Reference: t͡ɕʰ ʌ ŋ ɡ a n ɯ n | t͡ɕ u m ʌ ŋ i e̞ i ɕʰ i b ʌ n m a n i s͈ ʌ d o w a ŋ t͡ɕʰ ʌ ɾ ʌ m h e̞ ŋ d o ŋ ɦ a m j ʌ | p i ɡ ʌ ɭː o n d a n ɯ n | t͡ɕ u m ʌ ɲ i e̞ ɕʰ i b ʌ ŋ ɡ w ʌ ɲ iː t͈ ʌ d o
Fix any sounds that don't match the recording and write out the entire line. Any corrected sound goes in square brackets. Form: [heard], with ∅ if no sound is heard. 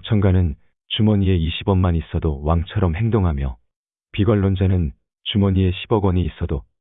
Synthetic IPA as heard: t͡ɕʰ ʌ ŋ ɡ a n ɯ n | t͡ɕ u m ʌ [ɲ] i e̞ i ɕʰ i b ʌ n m a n i s͈ ʌ d o w a ŋ t͡ɕʰ ʌ ɾ ʌ m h e̞ ŋ d o ŋ ɦ a m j ʌ | p i ɡ ʌ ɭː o n [d͡ʑ] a n ɯ n | t͡ɕ u m ʌ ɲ i e̞ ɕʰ i b ʌ [∅] ɡ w ʌ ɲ iː [s͈] ʌ d o